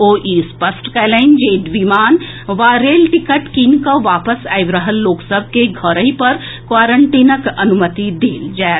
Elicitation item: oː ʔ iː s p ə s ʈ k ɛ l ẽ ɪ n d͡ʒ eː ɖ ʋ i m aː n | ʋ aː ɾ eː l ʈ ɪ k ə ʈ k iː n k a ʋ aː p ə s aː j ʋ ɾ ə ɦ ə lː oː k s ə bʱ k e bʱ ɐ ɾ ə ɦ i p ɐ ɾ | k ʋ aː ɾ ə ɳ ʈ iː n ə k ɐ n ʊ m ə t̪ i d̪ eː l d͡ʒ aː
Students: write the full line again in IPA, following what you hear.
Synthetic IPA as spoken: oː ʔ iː s p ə s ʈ k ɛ l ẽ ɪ n d͡ʒ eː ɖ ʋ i m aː n | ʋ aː ɾ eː l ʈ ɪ k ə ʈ k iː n k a ʋ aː p ə s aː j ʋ ɾ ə ɦ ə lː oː k s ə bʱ k e ɡʱ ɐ ɾ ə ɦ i p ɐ ɾ | k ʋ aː ɾ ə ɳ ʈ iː n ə k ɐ n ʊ m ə t̪ i d̪ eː l d͡ʒ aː